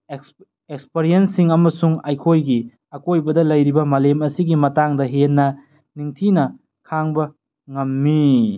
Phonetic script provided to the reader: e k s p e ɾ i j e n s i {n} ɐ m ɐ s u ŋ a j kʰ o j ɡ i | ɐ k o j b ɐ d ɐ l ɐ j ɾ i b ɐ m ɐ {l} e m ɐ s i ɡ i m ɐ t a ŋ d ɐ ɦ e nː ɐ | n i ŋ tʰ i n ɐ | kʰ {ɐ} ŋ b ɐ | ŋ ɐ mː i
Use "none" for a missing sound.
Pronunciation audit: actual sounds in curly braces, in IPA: ŋ, l, a

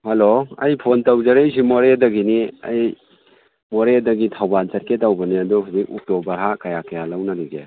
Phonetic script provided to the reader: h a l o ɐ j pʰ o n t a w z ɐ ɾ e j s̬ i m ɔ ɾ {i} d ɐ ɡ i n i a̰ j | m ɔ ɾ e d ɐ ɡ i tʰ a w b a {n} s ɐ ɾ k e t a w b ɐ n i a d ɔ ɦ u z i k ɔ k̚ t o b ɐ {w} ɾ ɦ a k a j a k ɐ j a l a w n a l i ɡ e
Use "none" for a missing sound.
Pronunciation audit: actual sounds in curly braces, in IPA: e, n, none

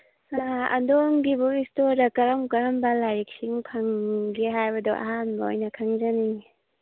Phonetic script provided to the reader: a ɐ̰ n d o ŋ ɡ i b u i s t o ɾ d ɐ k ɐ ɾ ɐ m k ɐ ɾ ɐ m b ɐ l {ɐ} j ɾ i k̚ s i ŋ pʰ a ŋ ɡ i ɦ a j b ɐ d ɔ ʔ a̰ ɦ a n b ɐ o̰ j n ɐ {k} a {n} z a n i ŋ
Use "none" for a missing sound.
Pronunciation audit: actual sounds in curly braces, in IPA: a, kʰ, ŋ

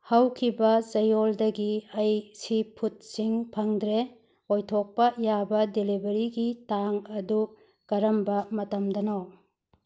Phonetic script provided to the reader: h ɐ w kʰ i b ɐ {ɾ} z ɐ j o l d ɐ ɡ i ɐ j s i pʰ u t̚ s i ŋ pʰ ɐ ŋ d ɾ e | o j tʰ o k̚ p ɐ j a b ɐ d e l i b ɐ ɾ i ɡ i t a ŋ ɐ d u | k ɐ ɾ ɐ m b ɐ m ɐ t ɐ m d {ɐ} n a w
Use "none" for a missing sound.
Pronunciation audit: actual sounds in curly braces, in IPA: none, ɐ

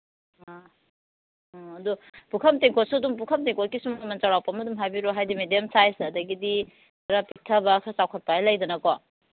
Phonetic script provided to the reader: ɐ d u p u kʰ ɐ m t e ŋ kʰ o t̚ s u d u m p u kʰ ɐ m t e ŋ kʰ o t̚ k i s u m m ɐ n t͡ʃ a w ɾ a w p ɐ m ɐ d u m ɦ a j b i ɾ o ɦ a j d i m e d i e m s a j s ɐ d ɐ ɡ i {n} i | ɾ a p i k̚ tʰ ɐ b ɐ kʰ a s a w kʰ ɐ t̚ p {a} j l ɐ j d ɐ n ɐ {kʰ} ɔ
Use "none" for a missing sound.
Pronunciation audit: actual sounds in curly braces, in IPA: d, a, k

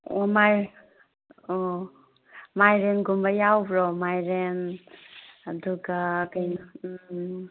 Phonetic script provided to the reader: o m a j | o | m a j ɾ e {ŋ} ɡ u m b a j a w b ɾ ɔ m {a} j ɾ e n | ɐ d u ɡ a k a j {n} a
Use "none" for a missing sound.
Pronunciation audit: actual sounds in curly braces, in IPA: n, a, n

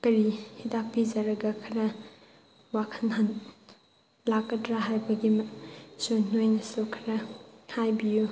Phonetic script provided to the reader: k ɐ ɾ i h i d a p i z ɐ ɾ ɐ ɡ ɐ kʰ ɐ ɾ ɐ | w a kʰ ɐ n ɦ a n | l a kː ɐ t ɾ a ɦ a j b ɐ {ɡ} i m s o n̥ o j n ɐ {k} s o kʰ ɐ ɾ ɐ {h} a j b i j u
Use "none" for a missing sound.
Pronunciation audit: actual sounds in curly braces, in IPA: ɡ, none, h

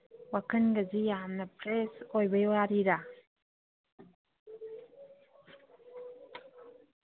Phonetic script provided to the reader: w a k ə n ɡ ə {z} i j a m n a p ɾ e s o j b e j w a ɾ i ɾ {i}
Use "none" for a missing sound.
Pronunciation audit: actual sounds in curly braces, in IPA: z, a

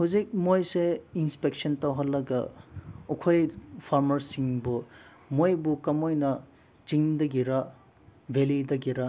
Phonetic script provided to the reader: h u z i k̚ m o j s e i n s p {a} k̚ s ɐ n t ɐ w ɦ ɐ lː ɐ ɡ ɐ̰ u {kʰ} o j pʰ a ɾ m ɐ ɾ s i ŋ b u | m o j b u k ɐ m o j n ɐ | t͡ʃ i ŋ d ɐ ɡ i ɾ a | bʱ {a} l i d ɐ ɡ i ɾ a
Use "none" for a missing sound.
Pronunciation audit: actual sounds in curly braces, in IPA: e, kʰ, e

